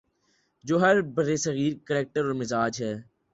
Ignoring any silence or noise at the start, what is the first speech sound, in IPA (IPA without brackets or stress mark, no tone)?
d͡ʒ